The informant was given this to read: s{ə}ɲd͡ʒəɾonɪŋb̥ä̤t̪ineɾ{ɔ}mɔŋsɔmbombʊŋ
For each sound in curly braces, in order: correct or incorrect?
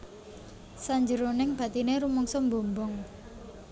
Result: incorrect: a, incorrect: u

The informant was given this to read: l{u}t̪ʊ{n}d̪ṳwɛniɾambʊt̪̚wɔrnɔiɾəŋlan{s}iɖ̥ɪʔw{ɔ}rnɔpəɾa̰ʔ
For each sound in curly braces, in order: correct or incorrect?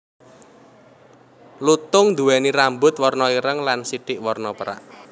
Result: correct, incorrect: ŋ, correct, correct

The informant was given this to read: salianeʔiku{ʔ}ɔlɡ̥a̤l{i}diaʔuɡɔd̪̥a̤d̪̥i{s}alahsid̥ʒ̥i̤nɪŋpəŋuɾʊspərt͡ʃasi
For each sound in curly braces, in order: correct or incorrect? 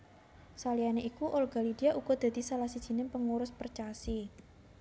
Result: correct, correct, correct

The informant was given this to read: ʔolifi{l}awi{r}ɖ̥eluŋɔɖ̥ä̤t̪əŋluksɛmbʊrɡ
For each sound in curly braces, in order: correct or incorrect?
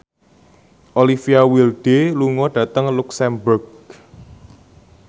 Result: incorrect: none, incorrect: l

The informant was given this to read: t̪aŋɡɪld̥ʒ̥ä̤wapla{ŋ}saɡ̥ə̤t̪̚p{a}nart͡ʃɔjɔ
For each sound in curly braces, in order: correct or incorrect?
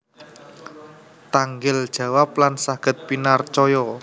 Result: incorrect: n, incorrect: i

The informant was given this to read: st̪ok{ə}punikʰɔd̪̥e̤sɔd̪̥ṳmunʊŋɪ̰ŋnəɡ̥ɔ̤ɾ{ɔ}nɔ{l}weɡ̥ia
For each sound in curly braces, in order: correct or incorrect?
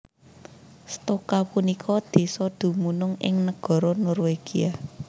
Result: incorrect: a, correct, incorrect: r

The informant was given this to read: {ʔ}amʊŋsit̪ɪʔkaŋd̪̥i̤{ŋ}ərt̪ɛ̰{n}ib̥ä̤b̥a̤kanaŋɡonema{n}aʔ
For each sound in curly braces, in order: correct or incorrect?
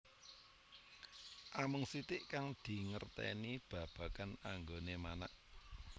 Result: correct, correct, correct, correct

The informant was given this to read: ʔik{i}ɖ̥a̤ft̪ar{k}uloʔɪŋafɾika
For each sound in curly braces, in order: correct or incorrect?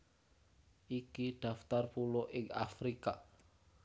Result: correct, incorrect: p

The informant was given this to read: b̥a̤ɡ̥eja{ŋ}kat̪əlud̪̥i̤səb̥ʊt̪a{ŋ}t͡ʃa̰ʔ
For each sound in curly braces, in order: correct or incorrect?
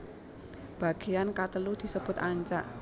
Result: incorrect: n, incorrect: ɲ

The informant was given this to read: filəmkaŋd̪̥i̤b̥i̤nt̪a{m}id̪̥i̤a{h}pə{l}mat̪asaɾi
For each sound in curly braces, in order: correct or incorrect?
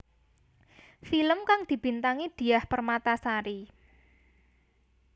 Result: incorrect: ŋ, correct, incorrect: r

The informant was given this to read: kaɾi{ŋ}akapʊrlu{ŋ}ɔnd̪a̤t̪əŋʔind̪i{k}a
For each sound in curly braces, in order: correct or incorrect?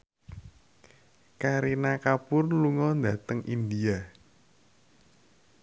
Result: incorrect: n, correct, incorrect: none

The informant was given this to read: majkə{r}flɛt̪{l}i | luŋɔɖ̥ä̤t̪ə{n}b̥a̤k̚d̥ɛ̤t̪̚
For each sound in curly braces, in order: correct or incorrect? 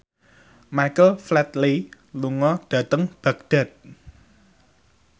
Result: incorrect: l, correct, incorrect: ŋ

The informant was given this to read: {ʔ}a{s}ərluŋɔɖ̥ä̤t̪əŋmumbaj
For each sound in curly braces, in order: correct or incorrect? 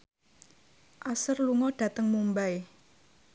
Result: correct, correct

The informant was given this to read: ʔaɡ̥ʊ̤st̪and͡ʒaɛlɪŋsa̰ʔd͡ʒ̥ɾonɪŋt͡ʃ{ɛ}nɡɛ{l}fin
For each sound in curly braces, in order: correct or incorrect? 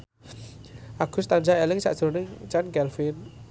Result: incorrect: a, correct

